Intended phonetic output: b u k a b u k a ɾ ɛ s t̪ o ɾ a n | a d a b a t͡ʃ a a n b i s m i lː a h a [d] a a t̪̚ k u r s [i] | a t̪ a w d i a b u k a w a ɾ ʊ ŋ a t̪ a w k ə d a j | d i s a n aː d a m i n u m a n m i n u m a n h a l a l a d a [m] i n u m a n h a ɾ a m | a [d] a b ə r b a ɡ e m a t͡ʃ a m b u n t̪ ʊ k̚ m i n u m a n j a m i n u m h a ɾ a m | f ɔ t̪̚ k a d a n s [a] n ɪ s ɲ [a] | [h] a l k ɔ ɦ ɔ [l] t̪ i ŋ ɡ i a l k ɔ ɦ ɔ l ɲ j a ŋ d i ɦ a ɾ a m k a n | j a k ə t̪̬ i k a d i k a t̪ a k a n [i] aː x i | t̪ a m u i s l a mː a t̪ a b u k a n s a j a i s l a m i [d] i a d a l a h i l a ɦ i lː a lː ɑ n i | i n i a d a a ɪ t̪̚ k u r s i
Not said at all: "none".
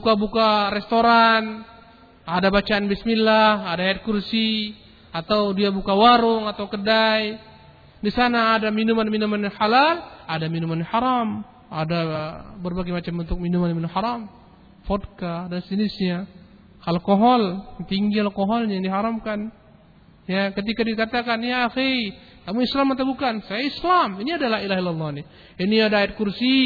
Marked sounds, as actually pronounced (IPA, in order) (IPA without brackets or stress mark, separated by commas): d, i, m, d, i, a, h, l, j, n